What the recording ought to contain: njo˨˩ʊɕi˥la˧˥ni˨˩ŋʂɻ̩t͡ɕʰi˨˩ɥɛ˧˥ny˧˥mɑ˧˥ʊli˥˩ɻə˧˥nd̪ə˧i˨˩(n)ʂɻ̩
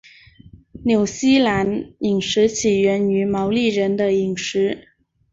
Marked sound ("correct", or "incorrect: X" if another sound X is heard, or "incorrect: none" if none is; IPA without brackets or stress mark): incorrect: ŋ